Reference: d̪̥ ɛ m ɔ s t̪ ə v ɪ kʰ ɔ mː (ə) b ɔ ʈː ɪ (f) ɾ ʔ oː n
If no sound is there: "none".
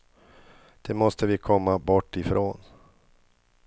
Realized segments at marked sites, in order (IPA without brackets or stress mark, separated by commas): a, f